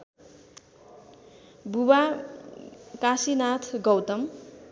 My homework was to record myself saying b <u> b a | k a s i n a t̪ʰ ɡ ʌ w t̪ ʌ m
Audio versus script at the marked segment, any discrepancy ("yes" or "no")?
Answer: no